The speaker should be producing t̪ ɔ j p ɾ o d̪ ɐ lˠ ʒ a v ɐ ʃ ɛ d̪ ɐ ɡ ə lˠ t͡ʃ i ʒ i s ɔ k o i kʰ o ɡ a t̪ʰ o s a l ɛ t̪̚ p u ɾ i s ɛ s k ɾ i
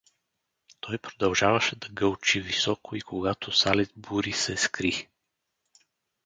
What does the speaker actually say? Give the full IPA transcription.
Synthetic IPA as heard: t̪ ɔ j p ɾ o d̪ ɐ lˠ ʒ a v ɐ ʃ ɛ d̪ ɐ ɡ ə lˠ t͡ʃ i v i s ɔ k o i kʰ o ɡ a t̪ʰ o s a l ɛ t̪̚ b u ɾ i s ɛ s k ɾ i